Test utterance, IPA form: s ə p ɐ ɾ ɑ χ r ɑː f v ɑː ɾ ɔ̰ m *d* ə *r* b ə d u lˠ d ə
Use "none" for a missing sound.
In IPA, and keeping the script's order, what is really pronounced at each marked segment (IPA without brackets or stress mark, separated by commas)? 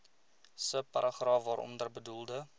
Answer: d, r